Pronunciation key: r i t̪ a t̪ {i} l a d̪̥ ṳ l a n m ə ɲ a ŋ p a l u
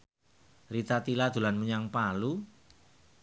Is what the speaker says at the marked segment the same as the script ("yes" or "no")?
yes